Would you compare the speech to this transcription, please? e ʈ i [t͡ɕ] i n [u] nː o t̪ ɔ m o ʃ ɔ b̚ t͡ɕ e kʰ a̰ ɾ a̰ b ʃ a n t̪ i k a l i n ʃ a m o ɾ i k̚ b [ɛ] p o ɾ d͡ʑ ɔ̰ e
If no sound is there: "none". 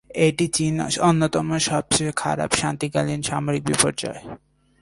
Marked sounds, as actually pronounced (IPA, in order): t͡ɕ, o, i

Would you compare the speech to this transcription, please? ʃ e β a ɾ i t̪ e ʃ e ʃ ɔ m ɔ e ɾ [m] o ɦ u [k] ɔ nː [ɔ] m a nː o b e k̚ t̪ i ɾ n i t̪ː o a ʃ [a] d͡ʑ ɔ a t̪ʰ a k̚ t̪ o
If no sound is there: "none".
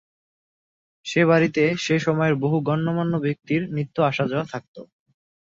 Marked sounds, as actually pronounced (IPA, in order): b, ɡ, o, a

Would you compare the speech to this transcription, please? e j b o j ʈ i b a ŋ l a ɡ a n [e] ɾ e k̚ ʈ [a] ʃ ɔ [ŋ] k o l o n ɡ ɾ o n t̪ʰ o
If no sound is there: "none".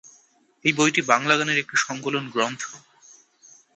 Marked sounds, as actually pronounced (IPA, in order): e, i, ŋ

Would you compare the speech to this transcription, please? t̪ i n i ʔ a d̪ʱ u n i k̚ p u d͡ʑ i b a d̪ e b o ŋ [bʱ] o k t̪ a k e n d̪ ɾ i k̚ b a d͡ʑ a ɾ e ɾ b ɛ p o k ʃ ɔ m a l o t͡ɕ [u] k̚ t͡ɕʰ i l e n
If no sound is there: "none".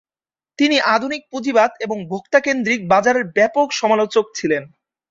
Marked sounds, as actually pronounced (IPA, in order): bʱ, o

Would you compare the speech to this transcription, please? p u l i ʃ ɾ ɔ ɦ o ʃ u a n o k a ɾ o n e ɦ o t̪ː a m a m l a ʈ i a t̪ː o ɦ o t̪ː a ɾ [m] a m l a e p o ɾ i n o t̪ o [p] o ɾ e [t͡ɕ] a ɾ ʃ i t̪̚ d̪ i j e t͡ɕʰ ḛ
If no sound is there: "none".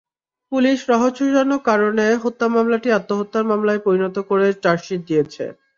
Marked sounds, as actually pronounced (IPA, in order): m, k, t͡ɕ

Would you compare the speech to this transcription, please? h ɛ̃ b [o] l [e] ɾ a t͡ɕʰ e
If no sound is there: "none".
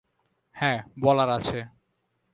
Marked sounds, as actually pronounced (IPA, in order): ɔ, a

